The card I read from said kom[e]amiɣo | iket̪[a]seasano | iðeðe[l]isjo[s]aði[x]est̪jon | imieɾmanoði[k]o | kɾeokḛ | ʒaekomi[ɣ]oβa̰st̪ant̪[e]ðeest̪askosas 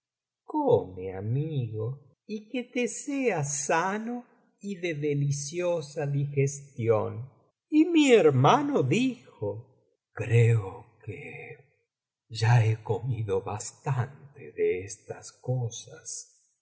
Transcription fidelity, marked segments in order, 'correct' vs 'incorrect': correct, incorrect: e, correct, correct, correct, incorrect: x, incorrect: ð, correct

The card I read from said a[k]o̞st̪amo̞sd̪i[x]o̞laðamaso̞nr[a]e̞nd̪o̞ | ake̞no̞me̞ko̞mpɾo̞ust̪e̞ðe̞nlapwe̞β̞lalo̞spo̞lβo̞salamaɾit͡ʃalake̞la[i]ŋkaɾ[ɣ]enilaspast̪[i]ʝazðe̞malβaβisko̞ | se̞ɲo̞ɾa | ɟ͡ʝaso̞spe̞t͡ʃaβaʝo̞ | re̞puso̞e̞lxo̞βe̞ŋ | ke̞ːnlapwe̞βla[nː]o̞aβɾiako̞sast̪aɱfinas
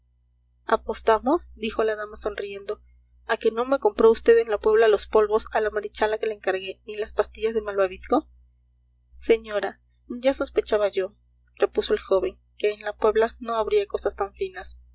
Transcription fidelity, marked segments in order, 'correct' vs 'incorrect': incorrect: p, correct, incorrect: i, incorrect: e, correct, correct, incorrect: n

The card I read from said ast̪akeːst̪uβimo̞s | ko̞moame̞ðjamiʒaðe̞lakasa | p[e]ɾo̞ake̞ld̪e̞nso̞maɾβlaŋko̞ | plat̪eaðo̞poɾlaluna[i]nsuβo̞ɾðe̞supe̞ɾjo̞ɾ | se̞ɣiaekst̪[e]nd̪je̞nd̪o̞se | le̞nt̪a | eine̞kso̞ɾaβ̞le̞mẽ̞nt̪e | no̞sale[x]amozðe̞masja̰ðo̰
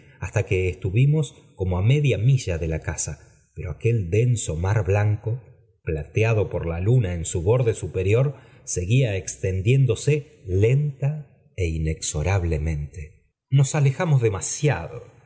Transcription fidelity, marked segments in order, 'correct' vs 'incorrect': correct, incorrect: e, correct, correct

